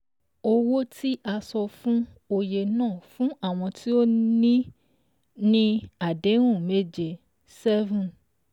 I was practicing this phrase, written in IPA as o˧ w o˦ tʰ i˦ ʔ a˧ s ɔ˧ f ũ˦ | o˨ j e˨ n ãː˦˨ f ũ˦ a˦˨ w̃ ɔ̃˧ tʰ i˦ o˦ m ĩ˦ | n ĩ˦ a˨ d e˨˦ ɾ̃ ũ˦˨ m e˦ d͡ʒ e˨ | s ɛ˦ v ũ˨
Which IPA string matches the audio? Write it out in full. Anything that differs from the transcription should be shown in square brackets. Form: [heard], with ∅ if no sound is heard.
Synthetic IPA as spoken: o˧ w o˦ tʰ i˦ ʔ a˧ s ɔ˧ f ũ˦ | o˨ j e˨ n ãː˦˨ f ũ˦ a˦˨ w̃ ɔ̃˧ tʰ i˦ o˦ [n] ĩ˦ | n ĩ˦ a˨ d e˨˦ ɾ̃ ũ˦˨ m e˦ d͡ʒ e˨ | s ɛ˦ v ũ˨